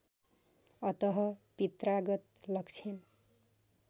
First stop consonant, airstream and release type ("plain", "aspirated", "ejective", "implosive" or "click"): plain